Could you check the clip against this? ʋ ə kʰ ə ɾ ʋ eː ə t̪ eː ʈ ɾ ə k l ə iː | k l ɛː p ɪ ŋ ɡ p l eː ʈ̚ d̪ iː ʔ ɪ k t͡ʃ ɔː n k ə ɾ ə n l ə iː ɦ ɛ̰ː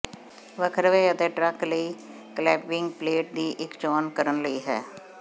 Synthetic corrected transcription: ʋ ə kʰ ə ɾ ʋ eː ə t̪ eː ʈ ɾ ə k l ə iː | k l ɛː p ɪ ŋ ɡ p l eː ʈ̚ d̪ iː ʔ ɪ k t͡ʃ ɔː n k ə ɾ ə n l ə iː ɦ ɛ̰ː

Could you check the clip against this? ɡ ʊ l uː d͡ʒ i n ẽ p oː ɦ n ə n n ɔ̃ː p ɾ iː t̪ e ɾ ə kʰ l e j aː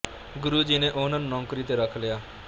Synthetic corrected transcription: ɡ ʊ ɾ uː d͡ʒ i n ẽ ʔ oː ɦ n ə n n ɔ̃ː k ɾ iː t̪ e ɾ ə kʰ l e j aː

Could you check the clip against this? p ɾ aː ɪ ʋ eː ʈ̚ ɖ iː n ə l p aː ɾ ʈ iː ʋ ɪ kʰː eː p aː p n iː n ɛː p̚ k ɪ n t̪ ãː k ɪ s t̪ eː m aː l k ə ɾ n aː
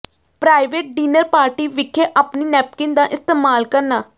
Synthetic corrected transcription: p ɾ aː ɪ ʋ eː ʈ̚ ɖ iː n ə ɾ p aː ɾ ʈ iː ʋ ɪ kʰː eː ʔ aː p n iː n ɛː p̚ k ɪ n d̪ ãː ʔ ɪ s t̪ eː m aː l k ə ɾ n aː

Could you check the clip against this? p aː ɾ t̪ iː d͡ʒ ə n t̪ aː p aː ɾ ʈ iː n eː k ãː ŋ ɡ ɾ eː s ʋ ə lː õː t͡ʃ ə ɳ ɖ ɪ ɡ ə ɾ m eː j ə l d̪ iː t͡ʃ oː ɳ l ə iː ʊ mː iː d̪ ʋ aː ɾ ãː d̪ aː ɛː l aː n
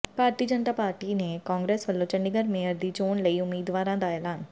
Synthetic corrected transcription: p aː ɾ t̪ iː d͡ʒ ə n t̪ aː p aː ɾ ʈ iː n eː k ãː ŋ ɡ ɾ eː s ʋ ə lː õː t͡ʃ ə ɳ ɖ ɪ ɡ ə ɾ m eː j ə ɾ d̪ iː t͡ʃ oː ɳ l ə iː ʊ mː iː d̪ ʋ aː ɾ ãː d̪ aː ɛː l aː n

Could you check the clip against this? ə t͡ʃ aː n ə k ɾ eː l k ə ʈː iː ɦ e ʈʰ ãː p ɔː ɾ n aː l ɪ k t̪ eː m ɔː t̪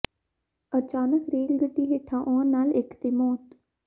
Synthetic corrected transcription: ə t͡ʃ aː n ə k ɾ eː l ɡ ə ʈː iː ɦ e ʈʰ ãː ʔ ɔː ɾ n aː l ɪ k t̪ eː m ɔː t̪

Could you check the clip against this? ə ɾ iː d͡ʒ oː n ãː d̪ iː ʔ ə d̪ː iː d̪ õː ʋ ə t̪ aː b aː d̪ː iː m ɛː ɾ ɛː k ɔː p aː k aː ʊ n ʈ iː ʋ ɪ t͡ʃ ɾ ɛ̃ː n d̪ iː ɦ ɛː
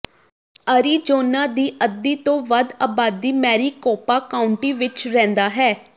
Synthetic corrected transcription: ə ɾ iː d͡ʒ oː n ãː d̪ iː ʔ ə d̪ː iː t̪ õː ʋ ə d̪ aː b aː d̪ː iː m ɛː ɾ iː k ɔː p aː k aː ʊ ɳ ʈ iː ʋ ɪ t͡ʃ ɾ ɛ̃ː n d̪ aː ɦ ɛː

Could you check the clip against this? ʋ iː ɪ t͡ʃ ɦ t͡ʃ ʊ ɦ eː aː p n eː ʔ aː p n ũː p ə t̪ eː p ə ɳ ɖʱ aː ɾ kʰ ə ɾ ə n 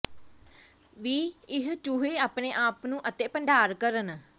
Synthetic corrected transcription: ʋ iː ɪ ɦ t͡ʃ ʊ ɦ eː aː p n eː ʔ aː p n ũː ʔ ə t̪ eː p ə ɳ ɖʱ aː ɾ k ə ɾ ə n

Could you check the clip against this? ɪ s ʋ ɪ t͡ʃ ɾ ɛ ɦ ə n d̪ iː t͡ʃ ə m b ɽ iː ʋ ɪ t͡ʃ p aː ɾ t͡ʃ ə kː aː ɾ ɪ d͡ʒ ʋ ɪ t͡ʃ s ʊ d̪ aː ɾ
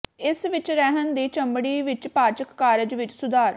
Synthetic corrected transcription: ɪ s ʋ ɪ t͡ʃ ɾ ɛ ɦ ə n d̪ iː t͡ʃ ə m b ɽ iː ʋ ɪ t͡ʃ p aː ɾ t͡ʃ ə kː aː ɾ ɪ d͡ʒ ʋ ɪ t͡ʃ s ʊ d̪ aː ɾ

